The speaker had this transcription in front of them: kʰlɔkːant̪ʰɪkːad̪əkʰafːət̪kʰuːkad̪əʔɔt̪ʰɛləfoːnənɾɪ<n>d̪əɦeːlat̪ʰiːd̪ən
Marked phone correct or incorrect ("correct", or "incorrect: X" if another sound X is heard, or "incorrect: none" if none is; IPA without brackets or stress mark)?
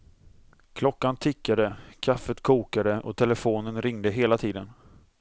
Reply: incorrect: ŋ